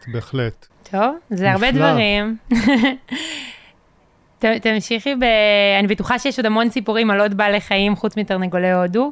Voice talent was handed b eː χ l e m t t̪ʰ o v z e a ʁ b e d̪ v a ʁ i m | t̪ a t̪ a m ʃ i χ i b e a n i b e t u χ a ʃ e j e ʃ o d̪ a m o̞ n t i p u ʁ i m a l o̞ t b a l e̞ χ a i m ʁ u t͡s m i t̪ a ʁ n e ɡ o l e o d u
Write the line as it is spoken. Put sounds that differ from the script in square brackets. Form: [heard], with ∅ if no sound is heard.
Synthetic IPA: b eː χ l e [∅] t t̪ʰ o v z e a ʁ b e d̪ v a ʁ i m | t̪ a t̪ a m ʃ i χ i b e a n i b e t u χ a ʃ e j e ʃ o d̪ a m o̞ n [s] i p u ʁ i m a l o̞ t b a l e̞ χ a i m [χ] u t͡s m i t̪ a ʁ n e ɡ o l e o d u